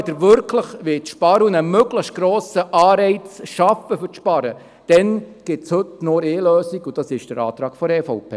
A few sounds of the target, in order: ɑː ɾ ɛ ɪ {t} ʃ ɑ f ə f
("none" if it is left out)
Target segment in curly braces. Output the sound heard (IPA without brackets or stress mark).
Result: t͡s